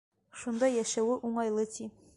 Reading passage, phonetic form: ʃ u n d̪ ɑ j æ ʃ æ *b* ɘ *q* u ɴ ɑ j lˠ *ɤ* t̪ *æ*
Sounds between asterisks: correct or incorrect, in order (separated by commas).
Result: incorrect, incorrect, correct, incorrect